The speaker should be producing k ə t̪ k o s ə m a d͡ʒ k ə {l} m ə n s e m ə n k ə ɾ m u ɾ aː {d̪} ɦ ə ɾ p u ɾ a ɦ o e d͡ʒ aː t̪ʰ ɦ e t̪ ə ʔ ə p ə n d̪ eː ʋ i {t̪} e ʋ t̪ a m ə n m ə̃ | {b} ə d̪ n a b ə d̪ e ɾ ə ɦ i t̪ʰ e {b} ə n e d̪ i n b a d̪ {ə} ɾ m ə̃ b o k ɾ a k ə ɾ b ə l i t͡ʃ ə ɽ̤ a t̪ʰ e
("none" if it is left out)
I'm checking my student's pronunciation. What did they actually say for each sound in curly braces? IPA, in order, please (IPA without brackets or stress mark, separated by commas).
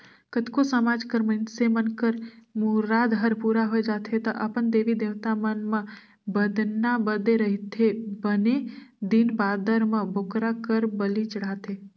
ɾ, d̪, d̪, b, b, ə